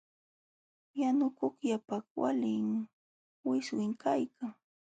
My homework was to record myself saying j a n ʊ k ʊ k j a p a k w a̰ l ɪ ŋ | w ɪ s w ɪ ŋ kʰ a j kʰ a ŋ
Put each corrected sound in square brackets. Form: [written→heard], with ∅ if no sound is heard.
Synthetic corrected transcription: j a n ʊ k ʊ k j a p a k w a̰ l ɪ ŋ | w ɪ s w ɪ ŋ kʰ a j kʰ a ŋ

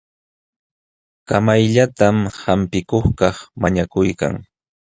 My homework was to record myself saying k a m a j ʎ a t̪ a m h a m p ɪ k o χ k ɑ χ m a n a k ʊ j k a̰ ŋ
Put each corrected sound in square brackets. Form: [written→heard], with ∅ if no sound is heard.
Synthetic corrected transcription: k a m a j ʎ a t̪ a m h a m p ɪ k o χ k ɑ χ m a [n→ɲ] a k ʊ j k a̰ ŋ

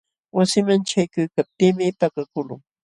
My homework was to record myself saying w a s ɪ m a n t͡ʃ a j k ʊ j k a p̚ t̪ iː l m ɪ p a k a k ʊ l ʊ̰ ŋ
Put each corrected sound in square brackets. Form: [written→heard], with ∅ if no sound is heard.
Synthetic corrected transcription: w a s ɪ m a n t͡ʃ a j k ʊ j k a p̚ t̪ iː [l→∅] m ɪ p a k a k ʊ l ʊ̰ ŋ

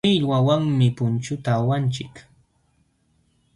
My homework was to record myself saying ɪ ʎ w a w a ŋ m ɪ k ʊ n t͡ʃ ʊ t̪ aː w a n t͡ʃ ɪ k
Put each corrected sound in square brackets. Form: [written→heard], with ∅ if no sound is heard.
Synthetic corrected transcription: ɪ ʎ w a w a ŋ m ɪ [k→p] ʊ n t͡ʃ ʊ t̪ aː w a n t͡ʃ ɪ k

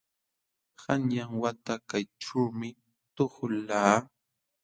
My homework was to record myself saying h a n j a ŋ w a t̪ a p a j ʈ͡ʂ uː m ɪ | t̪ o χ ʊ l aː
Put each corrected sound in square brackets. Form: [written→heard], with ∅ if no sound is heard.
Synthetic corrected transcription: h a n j a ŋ w a t̪ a [p→k] a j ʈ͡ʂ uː m ɪ | t̪ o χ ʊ l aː

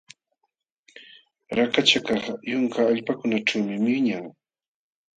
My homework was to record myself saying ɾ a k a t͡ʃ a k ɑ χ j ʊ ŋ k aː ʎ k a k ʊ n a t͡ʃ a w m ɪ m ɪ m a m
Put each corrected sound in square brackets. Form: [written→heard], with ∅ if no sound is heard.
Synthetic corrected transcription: ɾ a k a t͡ʃ a k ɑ χ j ʊ ŋ k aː ʎ [k→p] a k ʊ n a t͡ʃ a w m ɪ m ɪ [m→ɲ] a [m→ŋ]

